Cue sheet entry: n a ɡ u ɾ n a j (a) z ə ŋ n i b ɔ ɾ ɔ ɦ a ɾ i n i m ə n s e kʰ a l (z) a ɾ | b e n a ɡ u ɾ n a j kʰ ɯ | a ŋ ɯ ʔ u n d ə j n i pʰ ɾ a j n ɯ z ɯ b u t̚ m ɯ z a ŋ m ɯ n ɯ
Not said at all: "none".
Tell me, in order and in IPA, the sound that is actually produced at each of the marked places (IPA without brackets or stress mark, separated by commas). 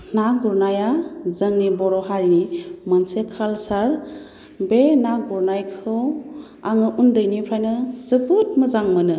a, s